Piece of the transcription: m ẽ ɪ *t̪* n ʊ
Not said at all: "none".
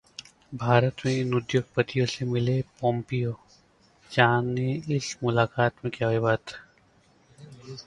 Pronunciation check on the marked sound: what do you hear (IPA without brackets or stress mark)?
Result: none